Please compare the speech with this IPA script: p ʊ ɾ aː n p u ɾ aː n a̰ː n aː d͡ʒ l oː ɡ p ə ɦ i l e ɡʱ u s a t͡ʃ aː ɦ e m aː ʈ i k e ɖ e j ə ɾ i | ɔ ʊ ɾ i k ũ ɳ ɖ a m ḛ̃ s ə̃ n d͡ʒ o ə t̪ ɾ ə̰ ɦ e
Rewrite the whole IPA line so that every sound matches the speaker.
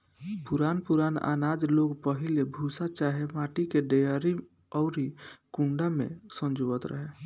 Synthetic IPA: p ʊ ɾ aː n p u ɾ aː n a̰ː n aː d͡ʒ l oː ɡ p ə ɦ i l e bʱ u s a t͡ʃ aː ɦ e m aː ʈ i k e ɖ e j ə ɾ i | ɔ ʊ ɾ i k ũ ɳ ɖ a m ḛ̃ s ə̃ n d͡ʒ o ə t̪ ɾ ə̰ ɦ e